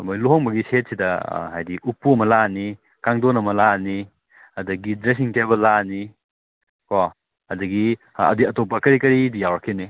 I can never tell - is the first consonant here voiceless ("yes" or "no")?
no